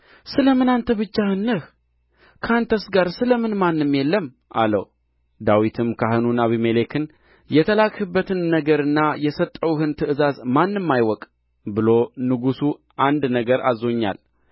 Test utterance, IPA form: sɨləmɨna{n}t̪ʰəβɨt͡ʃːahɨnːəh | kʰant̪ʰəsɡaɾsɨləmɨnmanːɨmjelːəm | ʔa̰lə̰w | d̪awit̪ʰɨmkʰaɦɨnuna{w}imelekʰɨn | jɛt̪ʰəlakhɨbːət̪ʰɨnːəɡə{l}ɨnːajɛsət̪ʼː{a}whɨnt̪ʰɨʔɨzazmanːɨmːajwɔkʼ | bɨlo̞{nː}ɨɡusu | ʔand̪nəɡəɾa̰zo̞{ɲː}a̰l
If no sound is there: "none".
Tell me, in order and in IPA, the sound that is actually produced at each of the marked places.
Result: n, β, ɾ, ə, n, ɲː

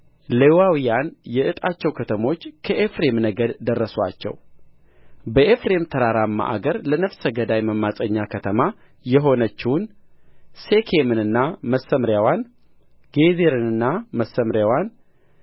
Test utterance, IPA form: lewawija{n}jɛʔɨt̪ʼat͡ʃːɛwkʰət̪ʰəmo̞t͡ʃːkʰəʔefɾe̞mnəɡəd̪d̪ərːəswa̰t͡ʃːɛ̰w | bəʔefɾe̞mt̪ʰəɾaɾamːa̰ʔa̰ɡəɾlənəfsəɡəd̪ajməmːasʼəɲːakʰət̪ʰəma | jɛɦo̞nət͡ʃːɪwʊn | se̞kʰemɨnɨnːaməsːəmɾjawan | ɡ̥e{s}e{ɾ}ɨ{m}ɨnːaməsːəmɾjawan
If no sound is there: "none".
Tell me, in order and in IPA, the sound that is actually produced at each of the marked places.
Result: n, z, ɾ, n

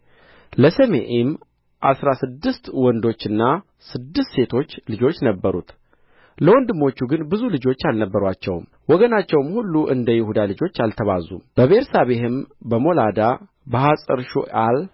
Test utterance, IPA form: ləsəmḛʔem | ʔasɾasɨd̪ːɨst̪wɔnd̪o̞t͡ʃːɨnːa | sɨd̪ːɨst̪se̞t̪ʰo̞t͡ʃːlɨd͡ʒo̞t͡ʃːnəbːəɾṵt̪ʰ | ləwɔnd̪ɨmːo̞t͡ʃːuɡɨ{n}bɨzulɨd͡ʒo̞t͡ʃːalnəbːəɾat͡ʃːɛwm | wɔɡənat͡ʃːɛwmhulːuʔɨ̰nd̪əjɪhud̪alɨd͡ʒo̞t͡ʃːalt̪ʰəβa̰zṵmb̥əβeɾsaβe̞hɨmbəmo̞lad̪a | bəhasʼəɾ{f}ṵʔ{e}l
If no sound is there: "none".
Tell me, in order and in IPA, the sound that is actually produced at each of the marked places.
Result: n, ʃ, a

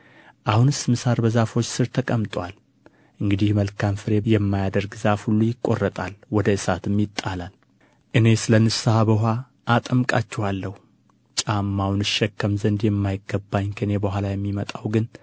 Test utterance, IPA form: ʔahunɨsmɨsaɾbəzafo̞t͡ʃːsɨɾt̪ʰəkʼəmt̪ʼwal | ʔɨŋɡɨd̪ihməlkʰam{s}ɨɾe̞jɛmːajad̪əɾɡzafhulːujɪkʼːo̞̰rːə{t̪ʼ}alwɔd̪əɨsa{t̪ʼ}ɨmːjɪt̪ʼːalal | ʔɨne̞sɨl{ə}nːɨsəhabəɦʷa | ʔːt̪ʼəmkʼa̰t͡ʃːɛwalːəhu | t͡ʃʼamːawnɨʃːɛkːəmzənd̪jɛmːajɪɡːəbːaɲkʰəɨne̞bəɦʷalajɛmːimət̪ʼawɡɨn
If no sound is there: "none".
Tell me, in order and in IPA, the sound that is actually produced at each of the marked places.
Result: f, t̪ʼ, t̪, ə

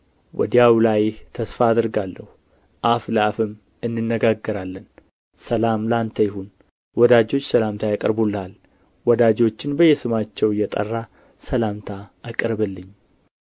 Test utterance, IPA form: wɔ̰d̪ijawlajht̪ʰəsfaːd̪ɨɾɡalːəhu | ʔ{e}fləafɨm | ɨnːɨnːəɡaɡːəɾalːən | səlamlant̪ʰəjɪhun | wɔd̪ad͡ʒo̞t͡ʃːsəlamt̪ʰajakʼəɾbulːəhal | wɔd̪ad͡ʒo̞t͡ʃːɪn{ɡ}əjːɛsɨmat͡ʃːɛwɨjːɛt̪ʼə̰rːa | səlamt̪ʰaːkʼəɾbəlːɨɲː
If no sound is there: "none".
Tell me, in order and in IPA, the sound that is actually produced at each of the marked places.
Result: a, b

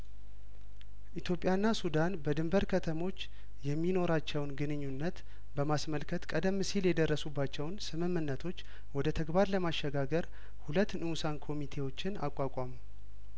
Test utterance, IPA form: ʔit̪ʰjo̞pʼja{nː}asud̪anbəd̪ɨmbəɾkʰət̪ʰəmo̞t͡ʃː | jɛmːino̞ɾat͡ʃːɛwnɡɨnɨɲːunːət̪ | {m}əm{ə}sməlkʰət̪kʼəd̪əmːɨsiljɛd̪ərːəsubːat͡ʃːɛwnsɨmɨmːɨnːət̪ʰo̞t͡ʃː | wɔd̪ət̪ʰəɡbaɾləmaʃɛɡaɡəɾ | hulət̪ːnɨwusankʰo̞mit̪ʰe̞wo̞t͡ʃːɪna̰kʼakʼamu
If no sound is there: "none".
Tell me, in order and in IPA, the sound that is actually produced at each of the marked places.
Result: nː, b, a

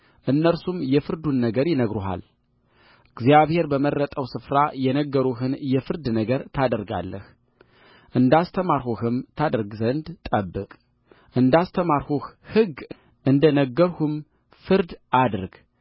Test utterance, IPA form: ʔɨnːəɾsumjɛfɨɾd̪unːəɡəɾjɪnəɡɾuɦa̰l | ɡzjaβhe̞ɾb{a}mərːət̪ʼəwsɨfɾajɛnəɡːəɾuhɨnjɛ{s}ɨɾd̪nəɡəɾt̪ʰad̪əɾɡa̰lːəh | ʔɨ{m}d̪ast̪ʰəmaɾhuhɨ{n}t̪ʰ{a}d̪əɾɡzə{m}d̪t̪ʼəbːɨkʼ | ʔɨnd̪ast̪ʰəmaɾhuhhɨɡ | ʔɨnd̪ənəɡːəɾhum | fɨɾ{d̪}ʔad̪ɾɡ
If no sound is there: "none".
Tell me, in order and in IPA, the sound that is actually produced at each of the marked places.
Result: ə, f, n, m, a, n, d̪

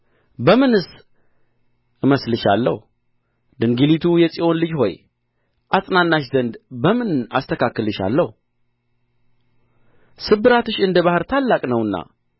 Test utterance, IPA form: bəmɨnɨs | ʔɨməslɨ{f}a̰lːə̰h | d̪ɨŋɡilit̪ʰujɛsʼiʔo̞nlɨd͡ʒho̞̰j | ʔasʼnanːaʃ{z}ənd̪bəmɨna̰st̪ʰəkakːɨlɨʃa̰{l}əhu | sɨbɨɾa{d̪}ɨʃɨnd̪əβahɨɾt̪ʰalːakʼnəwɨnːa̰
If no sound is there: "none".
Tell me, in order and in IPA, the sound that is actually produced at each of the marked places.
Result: ʃ, z, lː, t̪

